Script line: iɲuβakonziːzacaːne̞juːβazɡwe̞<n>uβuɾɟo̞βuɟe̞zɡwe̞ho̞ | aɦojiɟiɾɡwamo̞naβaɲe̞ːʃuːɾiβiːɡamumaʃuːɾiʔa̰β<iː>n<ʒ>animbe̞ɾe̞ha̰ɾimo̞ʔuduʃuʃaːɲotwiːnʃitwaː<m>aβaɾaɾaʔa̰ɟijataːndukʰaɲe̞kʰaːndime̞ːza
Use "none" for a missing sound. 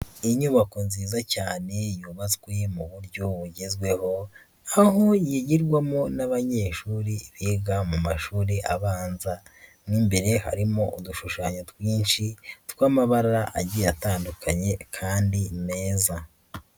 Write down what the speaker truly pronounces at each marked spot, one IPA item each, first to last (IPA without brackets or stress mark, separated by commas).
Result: m, aː, z, m